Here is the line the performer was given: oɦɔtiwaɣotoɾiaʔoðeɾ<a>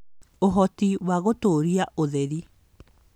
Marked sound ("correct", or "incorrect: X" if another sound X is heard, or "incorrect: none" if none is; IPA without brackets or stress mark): incorrect: i